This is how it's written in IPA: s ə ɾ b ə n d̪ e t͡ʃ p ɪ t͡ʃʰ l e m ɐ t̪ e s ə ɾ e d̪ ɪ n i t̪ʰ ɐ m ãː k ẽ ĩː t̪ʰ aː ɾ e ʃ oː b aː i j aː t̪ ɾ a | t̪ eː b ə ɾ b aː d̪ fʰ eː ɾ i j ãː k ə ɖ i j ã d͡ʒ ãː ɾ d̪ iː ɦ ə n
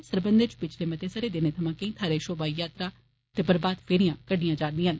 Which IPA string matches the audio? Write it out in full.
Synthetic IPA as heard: s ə ɾ b ə n d̪ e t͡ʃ p ɪ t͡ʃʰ l e m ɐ t̪ e s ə ɾ e d̪ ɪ n e t̪ʰ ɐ m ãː k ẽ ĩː t̪ʰ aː ɾ e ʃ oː b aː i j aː t̪ ɾ a | t̪ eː b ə ɾ b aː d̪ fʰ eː ɾ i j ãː k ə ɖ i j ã d͡ʒ aː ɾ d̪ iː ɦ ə n